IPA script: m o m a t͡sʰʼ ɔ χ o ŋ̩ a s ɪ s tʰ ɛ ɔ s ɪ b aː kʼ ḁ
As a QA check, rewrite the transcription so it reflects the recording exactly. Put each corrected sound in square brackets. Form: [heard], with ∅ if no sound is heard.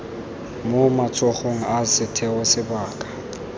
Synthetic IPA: m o m a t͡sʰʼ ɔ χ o ŋ̩ a s ɪ [∅] tʰ ɛ ɔ s ɪ b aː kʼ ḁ

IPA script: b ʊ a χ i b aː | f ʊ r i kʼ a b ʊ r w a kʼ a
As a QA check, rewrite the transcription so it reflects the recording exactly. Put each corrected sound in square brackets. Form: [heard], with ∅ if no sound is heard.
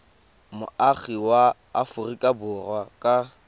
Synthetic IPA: [m] ʊ a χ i [w] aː | f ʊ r i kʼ a b ʊ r w a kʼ a

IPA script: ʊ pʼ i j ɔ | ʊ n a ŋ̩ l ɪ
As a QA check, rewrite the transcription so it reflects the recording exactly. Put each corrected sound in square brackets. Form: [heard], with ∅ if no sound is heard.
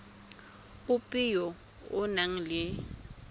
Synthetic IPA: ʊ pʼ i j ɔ | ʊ n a ŋ̩ l ɪ

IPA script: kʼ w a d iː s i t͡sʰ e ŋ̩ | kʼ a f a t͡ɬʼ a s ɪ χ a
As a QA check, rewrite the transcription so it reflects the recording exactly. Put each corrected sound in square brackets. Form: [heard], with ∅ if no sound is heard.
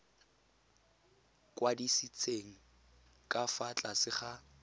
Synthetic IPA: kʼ w a d [i] s i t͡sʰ e ŋ̩ | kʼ a f a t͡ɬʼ a s ɪ χ a

